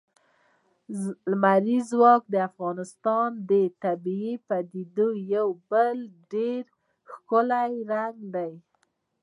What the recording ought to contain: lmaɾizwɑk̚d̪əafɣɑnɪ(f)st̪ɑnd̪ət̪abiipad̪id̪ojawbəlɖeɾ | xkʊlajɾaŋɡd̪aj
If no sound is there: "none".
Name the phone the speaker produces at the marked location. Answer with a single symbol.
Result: none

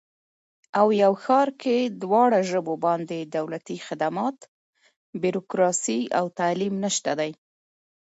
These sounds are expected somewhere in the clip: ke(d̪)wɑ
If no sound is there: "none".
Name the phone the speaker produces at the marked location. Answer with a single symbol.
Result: d̪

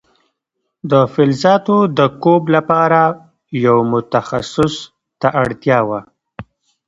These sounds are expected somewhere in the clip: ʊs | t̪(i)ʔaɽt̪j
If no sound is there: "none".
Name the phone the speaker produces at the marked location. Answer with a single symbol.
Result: a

